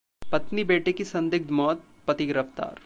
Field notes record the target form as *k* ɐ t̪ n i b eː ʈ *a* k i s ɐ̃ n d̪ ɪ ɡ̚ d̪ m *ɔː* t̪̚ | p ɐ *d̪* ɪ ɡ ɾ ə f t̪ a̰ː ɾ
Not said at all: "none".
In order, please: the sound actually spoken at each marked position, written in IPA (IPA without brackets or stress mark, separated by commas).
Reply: p, e, ɔː, t̪